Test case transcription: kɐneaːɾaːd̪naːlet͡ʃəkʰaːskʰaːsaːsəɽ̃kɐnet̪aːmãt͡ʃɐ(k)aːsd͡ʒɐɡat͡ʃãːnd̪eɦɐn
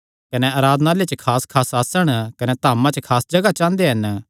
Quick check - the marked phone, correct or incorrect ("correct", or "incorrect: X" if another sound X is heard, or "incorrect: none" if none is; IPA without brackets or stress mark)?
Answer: incorrect: kʰ